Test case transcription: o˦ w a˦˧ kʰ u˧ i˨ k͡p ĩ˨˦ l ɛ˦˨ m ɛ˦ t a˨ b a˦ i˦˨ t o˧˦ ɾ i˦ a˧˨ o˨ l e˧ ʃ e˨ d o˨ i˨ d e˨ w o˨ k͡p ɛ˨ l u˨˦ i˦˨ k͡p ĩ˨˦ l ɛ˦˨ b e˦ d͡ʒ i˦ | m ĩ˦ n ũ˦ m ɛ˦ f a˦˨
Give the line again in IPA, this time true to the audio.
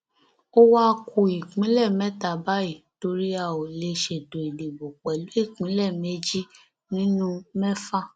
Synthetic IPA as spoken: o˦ w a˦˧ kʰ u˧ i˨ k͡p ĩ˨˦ l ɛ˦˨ m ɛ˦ t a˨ b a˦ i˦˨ t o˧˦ ɾ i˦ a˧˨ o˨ l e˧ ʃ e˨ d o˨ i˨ d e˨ b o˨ k͡p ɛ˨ l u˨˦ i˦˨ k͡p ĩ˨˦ l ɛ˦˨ m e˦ d͡ʒ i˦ | n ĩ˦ n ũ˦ m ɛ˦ f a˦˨